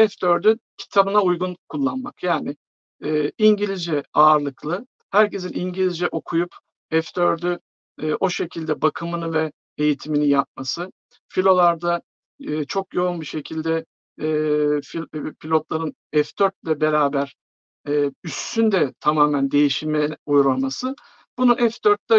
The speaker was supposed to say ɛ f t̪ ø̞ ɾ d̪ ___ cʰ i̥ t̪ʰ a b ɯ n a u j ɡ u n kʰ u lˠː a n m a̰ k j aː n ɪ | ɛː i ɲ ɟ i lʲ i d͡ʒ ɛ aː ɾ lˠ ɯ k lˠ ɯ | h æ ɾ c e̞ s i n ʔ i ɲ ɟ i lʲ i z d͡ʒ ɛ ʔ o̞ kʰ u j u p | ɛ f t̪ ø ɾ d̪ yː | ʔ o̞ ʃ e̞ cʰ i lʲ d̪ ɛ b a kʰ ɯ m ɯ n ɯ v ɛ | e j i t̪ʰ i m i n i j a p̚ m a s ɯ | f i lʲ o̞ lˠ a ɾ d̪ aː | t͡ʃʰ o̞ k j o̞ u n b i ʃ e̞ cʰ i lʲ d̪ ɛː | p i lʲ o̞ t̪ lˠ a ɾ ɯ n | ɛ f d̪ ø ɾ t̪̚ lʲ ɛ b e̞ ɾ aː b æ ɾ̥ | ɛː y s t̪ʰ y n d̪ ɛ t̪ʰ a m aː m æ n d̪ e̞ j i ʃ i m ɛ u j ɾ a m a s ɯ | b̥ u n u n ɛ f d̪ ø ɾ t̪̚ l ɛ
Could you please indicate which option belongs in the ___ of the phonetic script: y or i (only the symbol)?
y